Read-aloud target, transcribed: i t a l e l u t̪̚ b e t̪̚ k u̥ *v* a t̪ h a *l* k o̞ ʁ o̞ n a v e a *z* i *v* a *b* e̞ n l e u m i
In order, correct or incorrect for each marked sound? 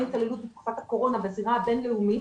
incorrect: f, incorrect: none, correct, incorrect: ʁ, correct

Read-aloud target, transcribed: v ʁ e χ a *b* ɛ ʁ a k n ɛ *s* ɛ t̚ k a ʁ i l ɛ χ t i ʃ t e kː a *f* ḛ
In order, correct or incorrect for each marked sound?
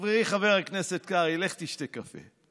incorrect: v, correct, correct

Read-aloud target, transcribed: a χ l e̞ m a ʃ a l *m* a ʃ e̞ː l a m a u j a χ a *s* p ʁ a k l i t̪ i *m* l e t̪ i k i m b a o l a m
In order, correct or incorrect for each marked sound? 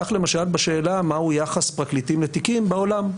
incorrect: b, correct, correct

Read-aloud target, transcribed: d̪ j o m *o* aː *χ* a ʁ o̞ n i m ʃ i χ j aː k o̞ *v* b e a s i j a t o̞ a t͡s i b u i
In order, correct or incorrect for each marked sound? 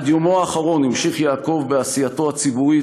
correct, correct, correct

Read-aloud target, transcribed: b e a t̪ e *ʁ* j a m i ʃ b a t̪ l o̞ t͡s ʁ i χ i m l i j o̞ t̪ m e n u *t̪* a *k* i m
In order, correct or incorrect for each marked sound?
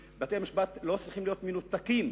incorrect: none, correct, correct

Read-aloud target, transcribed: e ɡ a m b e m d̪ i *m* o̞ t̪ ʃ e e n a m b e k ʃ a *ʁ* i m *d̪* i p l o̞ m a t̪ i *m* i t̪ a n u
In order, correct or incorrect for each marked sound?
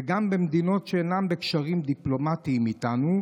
incorrect: n, correct, correct, correct

